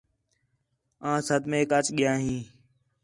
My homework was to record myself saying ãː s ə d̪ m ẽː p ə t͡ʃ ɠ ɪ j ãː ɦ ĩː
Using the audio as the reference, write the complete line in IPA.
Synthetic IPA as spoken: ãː s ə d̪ m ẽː k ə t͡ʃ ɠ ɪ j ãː ɦ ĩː